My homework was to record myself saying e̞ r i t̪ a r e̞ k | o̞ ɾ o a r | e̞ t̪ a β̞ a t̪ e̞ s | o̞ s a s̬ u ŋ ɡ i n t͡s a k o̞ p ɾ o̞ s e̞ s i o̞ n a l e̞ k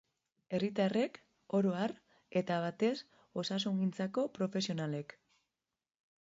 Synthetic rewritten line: e̞ r i t̪ a r e̞ k | o̞ ɾ o a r | e̞ t̪ a β̞ a t̪ e̞ s | o̞ s a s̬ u ŋ ɡ i n t͡s a k o̞ p ɾ o̞ f e̞ s i o̞ n a l e̞ k